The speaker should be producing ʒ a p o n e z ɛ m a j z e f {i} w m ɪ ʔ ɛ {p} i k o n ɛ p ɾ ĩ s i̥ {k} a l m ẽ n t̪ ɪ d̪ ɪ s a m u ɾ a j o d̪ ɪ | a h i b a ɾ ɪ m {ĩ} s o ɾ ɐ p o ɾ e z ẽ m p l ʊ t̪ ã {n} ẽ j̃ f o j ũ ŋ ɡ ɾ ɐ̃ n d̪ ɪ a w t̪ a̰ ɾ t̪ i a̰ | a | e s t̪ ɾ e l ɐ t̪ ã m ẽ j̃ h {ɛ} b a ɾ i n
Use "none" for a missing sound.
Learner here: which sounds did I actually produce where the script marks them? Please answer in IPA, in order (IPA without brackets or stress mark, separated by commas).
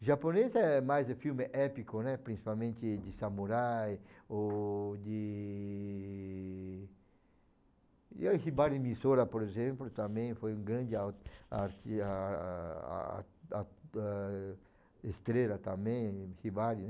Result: i, p, p, i, m, i